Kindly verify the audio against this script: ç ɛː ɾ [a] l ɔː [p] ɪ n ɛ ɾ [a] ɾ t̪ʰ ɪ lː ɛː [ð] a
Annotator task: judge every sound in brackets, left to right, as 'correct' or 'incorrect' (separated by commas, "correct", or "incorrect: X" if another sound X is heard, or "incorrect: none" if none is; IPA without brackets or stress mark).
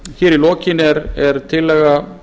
incorrect: i, incorrect: c, incorrect: ɛ, incorrect: ɣ